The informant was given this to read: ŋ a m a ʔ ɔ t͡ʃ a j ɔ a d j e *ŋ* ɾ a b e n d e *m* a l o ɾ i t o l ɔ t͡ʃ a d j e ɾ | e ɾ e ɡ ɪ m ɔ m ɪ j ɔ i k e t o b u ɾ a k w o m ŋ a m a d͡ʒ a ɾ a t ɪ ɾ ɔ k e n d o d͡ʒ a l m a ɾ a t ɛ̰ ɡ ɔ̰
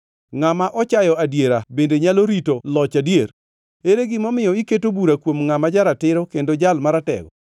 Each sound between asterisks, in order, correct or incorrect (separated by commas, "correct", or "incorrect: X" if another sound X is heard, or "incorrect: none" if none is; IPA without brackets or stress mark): incorrect: none, incorrect: ɲ